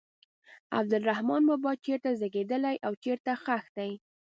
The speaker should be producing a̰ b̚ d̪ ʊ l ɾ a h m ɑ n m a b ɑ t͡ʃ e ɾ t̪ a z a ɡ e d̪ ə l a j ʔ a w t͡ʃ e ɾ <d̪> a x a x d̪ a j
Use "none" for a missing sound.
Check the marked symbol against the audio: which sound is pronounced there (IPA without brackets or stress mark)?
t̪